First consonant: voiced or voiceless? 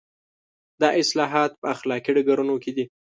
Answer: voiced